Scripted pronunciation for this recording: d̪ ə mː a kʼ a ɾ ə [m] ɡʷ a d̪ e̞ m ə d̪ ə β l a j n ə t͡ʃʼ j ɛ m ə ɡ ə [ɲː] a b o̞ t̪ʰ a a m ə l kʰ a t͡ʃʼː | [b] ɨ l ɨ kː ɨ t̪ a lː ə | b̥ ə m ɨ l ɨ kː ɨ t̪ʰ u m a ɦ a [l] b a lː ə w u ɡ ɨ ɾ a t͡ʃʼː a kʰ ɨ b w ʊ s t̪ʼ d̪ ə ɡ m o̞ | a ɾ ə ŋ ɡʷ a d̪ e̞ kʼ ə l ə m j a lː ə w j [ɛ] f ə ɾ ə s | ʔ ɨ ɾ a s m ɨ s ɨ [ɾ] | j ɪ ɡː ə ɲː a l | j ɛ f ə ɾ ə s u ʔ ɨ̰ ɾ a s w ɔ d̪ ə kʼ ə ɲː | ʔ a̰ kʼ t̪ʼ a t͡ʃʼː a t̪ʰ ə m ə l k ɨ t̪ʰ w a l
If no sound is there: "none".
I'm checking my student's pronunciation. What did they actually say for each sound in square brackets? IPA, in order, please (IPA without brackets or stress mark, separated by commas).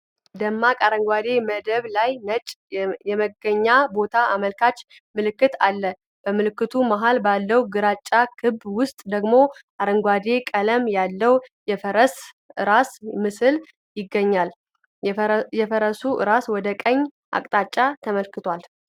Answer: ŋ, ɲː, m, l, ɛ, l